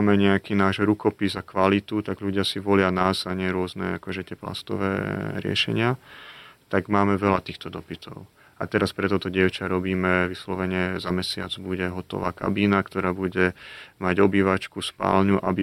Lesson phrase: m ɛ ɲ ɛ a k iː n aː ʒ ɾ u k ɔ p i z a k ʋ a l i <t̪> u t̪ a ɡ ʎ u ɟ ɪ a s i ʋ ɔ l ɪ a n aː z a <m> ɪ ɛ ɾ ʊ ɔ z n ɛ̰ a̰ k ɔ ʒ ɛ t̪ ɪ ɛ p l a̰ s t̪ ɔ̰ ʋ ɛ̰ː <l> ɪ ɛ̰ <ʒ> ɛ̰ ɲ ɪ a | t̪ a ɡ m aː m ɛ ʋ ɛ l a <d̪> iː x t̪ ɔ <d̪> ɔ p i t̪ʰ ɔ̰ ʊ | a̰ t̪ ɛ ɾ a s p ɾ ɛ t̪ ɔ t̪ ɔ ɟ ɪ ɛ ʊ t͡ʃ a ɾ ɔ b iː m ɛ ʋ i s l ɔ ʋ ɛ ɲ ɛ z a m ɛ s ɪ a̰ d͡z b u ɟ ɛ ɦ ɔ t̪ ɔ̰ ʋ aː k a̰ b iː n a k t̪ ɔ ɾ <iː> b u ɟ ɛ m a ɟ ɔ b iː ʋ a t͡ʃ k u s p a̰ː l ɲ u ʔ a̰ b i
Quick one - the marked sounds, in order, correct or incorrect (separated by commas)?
correct, incorrect, incorrect, incorrect, incorrect, correct, incorrect